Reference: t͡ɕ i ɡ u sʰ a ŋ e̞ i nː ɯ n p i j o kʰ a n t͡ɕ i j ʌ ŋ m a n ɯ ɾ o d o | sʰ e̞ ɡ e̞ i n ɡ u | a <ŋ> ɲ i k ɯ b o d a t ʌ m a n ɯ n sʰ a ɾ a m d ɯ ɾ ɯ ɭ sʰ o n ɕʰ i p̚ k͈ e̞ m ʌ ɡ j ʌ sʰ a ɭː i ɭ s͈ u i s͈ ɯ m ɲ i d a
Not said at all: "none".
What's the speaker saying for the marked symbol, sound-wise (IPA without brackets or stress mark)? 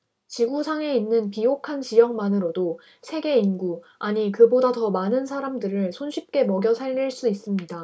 none